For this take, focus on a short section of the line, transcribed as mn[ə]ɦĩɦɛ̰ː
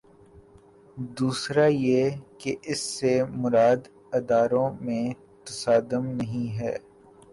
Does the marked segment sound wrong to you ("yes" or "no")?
yes